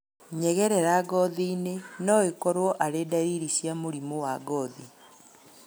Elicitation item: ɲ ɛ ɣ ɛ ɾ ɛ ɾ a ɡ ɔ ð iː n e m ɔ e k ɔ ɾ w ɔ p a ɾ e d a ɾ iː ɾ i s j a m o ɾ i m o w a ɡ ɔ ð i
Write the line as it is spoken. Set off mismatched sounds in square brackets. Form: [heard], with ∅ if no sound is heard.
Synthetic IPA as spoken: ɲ ɛ ɣ ɛ ɾ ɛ ɾ a ɡ ɔ ð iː n e [n] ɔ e k ɔ ɾ w ɔ [ʔ] a ɾ e d a ɾ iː ɾ i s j a m o ɾ i m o w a ɡ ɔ ð i

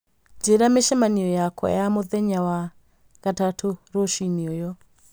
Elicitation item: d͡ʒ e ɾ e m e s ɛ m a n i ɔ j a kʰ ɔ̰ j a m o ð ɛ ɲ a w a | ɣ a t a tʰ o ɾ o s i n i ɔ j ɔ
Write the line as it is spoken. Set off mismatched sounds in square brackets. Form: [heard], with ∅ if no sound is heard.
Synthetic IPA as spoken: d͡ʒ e ɾ [a] m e [ʃ] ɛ m a n i ɔ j a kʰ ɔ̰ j a m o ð ɛ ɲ a w a | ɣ a t a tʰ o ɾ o [ʃ] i n i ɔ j ɔ

